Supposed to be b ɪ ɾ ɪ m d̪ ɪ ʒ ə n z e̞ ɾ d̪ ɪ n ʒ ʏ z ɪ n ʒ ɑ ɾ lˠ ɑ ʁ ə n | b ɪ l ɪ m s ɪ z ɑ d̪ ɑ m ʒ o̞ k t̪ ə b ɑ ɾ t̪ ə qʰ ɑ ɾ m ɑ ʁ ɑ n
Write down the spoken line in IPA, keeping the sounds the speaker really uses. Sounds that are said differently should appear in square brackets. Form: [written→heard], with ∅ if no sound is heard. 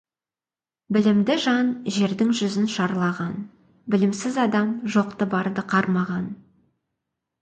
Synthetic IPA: b ɪ [ɾ→l] ɪ m d̪ ɪ ʒ [ə→ɑ] n [z→ʒ] e̞ ɾ d̪ ɪ [n→ŋ] ʒ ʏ z ɪ n [ʒ→ʃ] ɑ ɾ lˠ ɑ ʁ [ə→ɑ] n | b ɪ l ɪ m s ɪ z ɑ d̪ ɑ m ʒ o̞ [k→q] t̪ ə b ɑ ɾ [t̪→d̪] ə qʰ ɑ ɾ m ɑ ʁ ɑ n